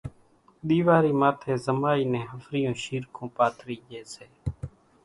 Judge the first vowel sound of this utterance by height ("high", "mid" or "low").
high